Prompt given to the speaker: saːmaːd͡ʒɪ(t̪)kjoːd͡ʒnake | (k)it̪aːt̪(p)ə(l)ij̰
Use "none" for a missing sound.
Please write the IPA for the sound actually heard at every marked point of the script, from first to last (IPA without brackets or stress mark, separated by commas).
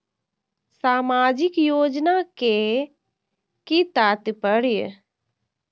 none, k, p, ɽ